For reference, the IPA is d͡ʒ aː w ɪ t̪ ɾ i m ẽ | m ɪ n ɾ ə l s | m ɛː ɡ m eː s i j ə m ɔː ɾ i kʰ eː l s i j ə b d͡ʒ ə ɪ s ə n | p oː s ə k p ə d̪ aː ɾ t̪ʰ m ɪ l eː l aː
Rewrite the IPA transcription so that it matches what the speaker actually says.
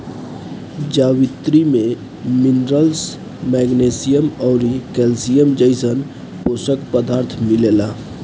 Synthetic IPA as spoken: d͡ʒ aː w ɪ t̪ ɾ i m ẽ | m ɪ n ɾ ə l s | m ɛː ɡ n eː s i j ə m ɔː ɾ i k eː l s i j ə m d͡ʒ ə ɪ s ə n | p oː s ə k p ə d̪ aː ɾ t̪ʰ m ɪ l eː l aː